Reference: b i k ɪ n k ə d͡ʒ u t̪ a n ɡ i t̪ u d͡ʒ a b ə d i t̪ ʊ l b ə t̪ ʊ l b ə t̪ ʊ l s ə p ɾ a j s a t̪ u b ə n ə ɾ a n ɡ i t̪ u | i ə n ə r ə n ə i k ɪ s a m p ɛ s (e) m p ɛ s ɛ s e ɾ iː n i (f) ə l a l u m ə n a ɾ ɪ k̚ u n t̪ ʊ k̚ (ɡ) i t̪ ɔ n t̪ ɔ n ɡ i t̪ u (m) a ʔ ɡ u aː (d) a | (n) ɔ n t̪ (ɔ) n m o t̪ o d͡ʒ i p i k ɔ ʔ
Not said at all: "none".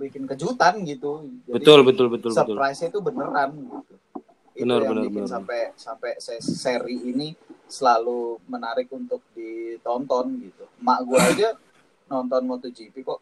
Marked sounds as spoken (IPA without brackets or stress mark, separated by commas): a, s, d, m, d͡ʒ, n, ɔ